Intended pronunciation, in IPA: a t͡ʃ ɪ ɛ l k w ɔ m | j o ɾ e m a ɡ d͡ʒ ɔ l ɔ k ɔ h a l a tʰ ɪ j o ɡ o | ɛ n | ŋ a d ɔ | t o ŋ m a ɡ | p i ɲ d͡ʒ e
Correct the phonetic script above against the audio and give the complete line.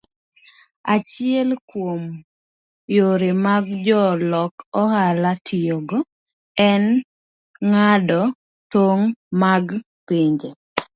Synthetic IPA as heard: a t͡ʃ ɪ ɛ l k w o m | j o ɾ e m a ɡ d͡ʒ ɔ l ɔ k ɔ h a l a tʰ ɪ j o ɡ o | ɛ n | ŋ a d ɔ | t o ŋ m a ɡ | p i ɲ d͡ʒ e